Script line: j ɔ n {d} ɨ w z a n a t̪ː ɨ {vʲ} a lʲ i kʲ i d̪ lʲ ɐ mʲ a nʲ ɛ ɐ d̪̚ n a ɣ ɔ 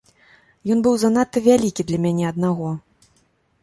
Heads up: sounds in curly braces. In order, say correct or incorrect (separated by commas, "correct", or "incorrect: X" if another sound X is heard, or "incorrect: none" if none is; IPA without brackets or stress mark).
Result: incorrect: b, correct